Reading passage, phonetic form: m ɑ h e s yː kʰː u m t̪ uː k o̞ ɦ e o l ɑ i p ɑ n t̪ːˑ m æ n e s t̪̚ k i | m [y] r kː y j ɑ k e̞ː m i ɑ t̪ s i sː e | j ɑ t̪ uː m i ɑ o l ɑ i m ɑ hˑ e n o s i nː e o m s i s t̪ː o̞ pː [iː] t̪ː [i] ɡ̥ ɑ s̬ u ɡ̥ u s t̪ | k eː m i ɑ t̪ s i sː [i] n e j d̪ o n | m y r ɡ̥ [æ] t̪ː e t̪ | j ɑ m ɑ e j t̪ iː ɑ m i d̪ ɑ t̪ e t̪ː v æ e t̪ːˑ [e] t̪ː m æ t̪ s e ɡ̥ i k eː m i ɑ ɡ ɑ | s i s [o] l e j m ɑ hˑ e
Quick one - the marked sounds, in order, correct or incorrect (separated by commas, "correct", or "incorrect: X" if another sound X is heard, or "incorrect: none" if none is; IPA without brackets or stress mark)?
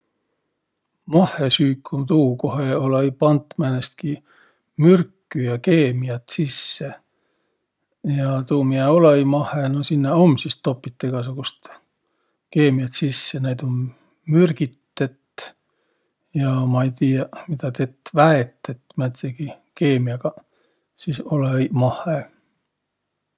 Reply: correct, incorrect: i, incorrect: e, incorrect: e, incorrect: i, correct, correct